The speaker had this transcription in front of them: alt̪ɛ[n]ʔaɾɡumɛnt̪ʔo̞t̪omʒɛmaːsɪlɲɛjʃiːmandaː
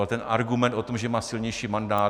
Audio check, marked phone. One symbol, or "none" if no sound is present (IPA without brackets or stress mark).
n